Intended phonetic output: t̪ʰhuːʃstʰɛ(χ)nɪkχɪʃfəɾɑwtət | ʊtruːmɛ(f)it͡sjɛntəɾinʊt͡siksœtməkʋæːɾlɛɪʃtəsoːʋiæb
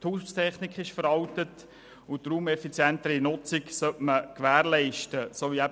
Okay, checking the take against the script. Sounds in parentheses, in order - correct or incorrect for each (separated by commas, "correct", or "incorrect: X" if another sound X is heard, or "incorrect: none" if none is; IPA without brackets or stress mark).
correct, correct